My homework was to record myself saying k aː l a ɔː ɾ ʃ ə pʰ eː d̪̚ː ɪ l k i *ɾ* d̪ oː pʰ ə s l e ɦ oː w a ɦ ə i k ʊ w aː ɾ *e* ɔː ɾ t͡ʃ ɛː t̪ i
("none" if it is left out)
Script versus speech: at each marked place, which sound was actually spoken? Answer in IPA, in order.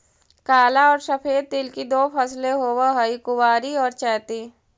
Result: none, i

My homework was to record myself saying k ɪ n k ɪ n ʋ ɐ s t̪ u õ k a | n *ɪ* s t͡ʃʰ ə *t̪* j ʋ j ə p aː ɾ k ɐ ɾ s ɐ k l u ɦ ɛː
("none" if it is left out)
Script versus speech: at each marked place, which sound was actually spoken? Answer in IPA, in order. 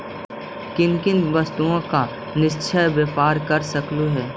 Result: ɪ, none

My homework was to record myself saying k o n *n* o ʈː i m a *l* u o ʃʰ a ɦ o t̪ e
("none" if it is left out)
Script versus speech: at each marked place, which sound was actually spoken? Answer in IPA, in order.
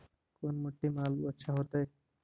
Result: m, l

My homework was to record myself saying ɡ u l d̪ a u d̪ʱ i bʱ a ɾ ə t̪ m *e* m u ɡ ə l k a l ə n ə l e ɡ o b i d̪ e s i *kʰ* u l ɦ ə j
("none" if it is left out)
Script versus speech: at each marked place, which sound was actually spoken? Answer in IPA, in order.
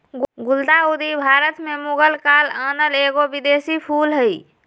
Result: e, pʰ

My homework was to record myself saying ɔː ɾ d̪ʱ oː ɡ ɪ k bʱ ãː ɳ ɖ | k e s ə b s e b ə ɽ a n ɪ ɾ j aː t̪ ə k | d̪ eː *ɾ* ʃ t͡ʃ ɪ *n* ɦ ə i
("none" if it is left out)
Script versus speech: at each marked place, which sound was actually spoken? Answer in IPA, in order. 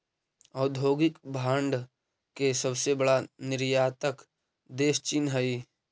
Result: none, n

